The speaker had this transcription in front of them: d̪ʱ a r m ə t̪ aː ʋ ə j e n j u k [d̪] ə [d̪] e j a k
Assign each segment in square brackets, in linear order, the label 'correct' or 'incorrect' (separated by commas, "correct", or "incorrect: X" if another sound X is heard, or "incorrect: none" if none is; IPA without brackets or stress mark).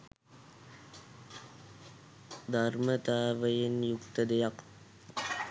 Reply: incorrect: t̪, correct